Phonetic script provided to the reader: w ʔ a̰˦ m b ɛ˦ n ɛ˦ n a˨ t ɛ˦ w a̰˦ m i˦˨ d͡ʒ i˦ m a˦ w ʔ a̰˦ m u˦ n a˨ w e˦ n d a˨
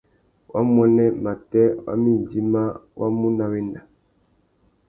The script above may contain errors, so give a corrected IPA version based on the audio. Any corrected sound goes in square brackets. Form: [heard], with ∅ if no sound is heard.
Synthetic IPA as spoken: w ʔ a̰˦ m [w] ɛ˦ n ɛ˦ [m] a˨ t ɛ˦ w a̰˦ m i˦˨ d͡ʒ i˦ m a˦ w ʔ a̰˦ m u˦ n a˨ w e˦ n d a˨